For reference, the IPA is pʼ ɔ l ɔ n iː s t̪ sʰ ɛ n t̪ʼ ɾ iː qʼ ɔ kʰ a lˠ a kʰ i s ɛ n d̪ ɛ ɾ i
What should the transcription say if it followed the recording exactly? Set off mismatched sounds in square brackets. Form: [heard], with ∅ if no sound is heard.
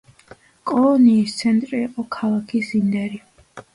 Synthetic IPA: [kʼ] ɔ l ɔ n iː s t̪ sʰ ɛ n t̪ʼ ɾ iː qʼ ɔ kʰ a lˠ a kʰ i s [i] n d̪ ɛ ɾ i